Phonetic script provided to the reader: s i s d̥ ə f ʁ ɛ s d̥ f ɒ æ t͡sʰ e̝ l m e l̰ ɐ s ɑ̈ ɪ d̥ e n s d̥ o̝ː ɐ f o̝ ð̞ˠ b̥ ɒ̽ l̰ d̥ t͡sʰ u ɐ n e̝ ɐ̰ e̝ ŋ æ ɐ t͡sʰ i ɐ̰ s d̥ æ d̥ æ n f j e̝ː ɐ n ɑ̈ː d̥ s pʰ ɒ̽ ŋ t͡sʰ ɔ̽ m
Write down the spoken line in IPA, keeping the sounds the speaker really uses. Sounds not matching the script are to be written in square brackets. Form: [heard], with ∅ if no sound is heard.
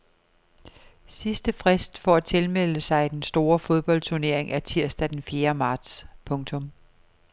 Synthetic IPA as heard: s i s d̥ ə f ʁ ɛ s d̥ f ɒ æ t͡sʰ e̝ l m e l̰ [ə] s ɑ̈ ɪ d̥ e n s d̥ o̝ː ɐ f o̝ ð̞ˠ b̥ ɒ̽ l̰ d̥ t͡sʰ u ɐ n e̝ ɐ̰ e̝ ŋ æ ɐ t͡sʰ i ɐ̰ s d̥ æ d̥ [e] n f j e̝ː ɐ [m] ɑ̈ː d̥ s pʰ [ɔ̽] ŋ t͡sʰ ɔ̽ m

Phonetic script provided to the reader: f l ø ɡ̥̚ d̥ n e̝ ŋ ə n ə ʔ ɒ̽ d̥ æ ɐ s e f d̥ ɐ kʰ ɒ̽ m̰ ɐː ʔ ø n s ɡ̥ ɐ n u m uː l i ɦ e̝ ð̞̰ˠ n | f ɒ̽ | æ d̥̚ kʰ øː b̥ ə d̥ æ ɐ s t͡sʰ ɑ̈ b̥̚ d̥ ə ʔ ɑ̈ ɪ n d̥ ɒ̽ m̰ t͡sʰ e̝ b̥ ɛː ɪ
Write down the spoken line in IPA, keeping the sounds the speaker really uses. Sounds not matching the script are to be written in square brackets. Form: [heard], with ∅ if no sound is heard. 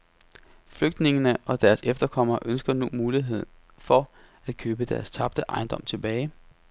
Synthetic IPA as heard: f l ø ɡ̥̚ d̥ n e̝ ŋ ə n ə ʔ ɒ̽ d̥ æ ɐ s e f d̥ ɐ kʰ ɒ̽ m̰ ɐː ʔ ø n s ɡ̥ ɐ n u m uː l i ɦ e̝ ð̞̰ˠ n | f ɒ̽ | æ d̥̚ kʰ øː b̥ ə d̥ æ ɐ s t͡sʰ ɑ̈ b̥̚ d̥ ə ʔ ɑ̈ ɪ n d̥ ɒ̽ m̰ t͡sʰ e̝ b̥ ɛː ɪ

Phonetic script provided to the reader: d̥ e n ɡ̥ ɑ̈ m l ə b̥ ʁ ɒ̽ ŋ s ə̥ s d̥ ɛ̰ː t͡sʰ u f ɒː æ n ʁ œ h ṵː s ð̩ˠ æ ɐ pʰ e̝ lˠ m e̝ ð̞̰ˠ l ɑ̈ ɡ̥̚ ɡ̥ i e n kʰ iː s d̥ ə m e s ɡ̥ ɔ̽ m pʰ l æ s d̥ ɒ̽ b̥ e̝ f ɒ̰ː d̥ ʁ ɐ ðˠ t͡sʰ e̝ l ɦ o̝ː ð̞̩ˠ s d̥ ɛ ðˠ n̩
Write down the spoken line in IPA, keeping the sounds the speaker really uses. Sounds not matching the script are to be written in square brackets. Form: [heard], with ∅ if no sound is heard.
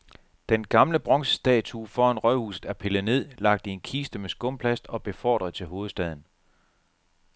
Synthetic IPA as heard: d̥ e n ɡ̥ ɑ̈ m l ə b̥ ʁ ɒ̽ ŋ s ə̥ s d̥ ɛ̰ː t͡sʰ u f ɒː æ n ʁ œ h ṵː s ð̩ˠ æ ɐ pʰ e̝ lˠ [n] e̝ ð̞̰ˠ l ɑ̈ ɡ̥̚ [d̥] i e n kʰ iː s d̥ ə m e s ɡ̥ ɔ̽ m pʰ l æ s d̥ ɒ̽ b̥ e̝ f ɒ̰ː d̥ ʁ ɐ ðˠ t͡sʰ e̝ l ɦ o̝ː ð̞̩ˠ s d̥ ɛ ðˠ n̩

